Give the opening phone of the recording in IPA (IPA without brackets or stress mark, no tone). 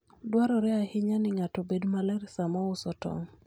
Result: d